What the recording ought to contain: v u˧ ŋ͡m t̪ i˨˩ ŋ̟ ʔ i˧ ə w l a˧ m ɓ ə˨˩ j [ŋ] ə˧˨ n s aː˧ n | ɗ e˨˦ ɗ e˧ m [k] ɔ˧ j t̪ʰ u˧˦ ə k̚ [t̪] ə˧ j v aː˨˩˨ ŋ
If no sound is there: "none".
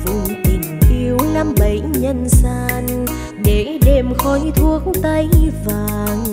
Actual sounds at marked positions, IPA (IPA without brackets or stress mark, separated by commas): ɲ, x, t̪